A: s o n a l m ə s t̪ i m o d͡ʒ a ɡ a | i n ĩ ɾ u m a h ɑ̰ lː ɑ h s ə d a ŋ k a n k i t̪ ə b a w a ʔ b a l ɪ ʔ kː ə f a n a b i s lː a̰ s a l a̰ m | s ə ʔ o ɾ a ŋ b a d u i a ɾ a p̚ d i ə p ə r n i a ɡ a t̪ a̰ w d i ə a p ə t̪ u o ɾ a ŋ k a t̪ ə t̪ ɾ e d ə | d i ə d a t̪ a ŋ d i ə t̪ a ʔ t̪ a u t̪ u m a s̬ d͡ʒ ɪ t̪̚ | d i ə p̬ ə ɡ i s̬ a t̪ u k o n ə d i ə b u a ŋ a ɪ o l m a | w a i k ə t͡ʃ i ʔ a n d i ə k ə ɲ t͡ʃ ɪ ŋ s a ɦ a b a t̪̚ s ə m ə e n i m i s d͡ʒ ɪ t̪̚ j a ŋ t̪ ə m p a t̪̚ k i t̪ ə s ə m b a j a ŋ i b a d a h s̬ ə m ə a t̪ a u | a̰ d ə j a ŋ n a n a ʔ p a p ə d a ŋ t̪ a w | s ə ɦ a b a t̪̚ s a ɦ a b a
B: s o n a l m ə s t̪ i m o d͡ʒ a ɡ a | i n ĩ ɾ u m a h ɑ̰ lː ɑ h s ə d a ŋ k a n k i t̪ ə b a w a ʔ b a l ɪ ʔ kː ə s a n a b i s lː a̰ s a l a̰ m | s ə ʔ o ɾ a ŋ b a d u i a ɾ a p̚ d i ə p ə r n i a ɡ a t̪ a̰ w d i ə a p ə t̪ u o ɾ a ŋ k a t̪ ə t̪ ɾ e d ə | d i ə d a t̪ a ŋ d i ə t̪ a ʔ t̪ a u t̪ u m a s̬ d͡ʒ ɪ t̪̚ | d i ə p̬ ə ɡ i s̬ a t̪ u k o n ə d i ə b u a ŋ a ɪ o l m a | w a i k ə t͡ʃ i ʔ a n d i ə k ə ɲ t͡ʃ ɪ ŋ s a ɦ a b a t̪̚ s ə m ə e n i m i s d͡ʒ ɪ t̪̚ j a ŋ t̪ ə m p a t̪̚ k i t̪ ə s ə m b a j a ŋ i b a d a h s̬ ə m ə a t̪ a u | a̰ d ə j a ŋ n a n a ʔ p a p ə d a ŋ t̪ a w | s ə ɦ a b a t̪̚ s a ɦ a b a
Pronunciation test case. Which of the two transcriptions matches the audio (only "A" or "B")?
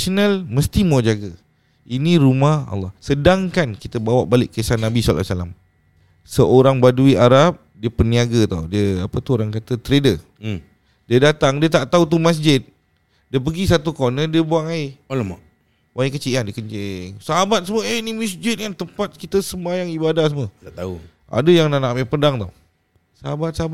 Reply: B